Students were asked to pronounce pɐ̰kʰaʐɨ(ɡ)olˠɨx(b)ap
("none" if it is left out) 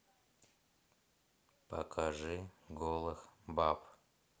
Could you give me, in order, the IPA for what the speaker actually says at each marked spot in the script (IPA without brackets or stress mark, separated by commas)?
ɡ, b